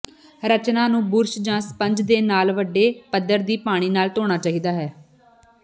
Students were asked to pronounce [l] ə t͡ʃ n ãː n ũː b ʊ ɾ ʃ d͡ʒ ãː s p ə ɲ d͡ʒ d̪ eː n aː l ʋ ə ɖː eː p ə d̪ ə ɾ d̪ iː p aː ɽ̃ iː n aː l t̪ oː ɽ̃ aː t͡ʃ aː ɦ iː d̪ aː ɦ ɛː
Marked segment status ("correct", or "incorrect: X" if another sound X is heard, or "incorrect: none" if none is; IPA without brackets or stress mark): incorrect: ɾ